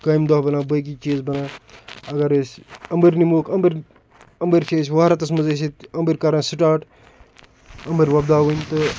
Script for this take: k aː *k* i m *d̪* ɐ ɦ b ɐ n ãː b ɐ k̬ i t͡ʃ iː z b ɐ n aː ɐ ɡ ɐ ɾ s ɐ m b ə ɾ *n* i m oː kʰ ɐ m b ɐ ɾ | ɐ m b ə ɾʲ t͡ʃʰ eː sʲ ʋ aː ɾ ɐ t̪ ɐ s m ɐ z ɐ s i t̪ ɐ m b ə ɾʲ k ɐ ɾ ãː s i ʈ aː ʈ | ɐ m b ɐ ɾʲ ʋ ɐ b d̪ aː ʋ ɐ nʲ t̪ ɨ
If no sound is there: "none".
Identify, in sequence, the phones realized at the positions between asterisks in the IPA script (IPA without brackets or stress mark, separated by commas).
none, d̪, n